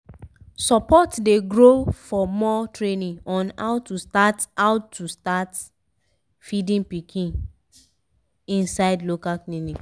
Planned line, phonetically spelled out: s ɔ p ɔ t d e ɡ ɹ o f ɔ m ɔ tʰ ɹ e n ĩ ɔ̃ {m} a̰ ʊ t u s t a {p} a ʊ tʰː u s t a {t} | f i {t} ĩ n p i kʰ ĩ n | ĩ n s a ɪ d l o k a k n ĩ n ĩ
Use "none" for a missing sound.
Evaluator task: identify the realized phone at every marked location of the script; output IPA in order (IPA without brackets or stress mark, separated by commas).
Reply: n, t, t, d